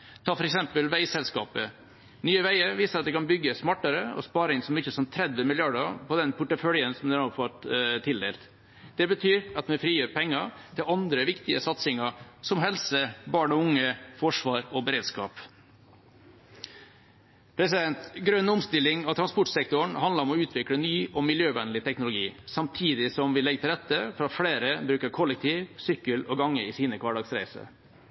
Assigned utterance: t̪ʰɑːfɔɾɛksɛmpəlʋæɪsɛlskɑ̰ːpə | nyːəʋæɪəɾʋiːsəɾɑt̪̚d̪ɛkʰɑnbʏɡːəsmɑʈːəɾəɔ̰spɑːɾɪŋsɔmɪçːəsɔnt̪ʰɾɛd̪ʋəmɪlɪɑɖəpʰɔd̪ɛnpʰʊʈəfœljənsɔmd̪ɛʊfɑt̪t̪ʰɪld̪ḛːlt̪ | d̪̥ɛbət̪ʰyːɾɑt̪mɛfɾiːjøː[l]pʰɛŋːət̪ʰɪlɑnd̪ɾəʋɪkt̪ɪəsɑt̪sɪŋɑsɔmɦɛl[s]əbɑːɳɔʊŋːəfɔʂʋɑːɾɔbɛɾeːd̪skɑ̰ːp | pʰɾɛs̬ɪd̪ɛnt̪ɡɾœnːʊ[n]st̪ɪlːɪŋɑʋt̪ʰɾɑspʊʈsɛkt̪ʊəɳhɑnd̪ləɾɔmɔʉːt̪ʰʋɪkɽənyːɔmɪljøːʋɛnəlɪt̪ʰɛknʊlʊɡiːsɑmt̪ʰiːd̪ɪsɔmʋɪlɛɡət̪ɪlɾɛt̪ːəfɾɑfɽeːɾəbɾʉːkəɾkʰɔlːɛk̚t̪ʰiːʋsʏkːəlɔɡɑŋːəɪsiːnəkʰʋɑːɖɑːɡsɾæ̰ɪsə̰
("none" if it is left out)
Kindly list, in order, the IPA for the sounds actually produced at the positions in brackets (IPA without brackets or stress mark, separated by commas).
ɾ, s, m